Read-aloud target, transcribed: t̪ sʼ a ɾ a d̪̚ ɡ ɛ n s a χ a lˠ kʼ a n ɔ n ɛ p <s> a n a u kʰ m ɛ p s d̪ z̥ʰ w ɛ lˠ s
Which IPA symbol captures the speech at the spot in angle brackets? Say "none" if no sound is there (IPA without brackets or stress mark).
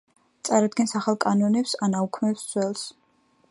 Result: s